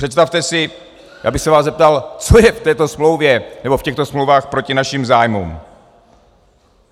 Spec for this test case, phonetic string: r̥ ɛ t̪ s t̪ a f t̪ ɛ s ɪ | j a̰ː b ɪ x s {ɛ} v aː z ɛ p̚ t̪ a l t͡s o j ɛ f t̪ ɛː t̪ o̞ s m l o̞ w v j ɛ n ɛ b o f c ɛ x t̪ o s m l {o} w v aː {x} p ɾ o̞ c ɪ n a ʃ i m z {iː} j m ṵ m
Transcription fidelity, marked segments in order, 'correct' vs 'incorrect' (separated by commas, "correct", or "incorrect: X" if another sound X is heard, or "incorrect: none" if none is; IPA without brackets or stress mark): correct, correct, correct, incorrect: aː